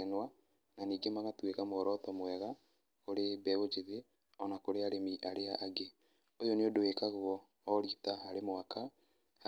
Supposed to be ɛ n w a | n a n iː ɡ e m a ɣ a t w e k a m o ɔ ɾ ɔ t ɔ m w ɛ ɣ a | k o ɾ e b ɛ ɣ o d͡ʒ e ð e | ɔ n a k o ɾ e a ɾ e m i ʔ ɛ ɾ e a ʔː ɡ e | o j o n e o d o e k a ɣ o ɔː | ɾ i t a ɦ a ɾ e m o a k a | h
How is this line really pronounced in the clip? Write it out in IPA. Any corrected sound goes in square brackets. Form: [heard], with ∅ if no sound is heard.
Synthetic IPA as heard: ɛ n w a | n a n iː ɡ e m a ɣ a t w e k a m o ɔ ɾ ɔ t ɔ m w ɛ ɣ a | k o ɾ e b ɛ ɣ o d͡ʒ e ð e | ɔ n a k o ɾ e a ɾ e m i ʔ [a] ɾ e a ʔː ɡ e | o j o n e o d o e k a ɣ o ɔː | ɾ i t a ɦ a ɾ e m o a k a | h

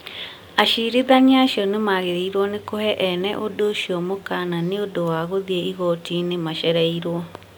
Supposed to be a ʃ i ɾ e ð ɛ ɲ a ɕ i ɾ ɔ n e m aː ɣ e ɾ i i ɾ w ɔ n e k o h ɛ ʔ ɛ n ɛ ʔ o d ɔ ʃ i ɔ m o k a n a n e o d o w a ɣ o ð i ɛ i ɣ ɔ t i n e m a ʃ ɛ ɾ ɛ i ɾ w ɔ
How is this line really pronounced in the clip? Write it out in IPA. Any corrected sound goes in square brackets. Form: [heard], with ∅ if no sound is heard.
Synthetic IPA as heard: a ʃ i ɾ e ð [a] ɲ a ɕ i [∅] ɔ n e m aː ɣ e ɾ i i ɾ w ɔ n e k o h ɛ ʔ ɛ n ɛ ʔ o d [o] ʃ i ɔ m o k a n a n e o d o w a ɣ o ð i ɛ i ɣ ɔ t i n e m a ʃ ɛ ɾ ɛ i ɾ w ɔ

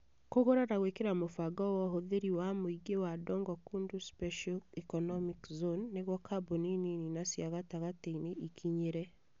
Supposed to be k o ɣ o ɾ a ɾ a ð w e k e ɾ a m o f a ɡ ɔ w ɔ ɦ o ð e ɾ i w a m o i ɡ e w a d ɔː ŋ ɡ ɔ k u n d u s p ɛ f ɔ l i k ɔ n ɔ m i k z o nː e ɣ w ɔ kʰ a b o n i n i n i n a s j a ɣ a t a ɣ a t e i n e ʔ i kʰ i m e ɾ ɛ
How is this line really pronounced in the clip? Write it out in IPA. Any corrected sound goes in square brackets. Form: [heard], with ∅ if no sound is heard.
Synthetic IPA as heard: k o ɣ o ɾ a ɾ a [ɣ] w e k e ɾ a m o f a ɡ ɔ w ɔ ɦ o ð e ɾ i w a m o i ɡ e w a d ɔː ŋ ɡ ɔ k u n d u s p ɛ [ʃ] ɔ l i k ɔ n ɔ m i k z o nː e ɣ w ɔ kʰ a b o n i n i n i n a s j a ɣ a t a ɣ a t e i n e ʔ i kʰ i [ɲ] e ɾ ɛ

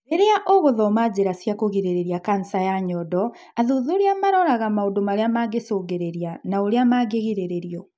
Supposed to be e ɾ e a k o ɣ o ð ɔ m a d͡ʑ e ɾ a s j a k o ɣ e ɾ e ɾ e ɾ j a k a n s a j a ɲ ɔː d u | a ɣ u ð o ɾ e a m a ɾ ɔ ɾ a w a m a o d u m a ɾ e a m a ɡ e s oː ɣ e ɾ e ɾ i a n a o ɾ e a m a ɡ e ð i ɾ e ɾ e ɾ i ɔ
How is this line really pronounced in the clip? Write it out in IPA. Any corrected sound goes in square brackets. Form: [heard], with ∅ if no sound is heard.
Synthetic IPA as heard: e ɾ e a [ʔ] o ɣ o ð ɔ m a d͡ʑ e ɾ a s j a k o ɣ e ɾ e ɾ e ɾ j a k a n s a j a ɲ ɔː d [ɔ] | a [ð] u ð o ɾ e a m a ɾ ɔ ɾ a [ɣ] a m a o d [o] m a ɾ e a m a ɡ e s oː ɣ e ɾ e ɾ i a n a o ɾ e a m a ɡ e [ɣ] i ɾ e ɾ e ɾ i ɔ

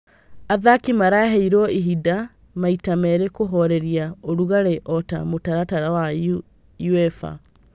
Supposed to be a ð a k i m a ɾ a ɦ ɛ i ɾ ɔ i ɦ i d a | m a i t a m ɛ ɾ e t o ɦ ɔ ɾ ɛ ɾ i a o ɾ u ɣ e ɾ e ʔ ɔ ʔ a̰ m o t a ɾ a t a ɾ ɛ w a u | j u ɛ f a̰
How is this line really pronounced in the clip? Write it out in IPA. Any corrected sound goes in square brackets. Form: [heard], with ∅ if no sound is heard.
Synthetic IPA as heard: a ð a k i m a ɾ a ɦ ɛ i ɾ ɔ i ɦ i d a | m a i t a m ɛ ɾ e [k] o ɦ ɔ ɾ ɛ ɾ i a o ɾ u ɣ [a] ɾ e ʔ ɔ [t] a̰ m o t a ɾ a t a ɾ [a] w a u | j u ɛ f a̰

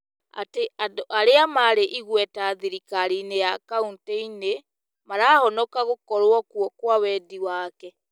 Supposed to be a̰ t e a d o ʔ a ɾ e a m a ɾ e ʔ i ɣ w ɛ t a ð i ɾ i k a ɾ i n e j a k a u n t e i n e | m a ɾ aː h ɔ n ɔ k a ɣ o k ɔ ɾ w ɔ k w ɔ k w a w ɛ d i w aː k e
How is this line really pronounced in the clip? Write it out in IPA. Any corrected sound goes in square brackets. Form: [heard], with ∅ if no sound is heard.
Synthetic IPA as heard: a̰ t e a d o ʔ a ɾ e a m a ɾ e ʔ i ɣ w ɛ t a ð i ɾ i k a ɾ i n e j a k a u n t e i n e | m a ɾ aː h ɔ n ɔ k a ɣ o k ɔ ɾ w ɔ k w ɔ k w a w ɛ d i w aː k [ɛ]

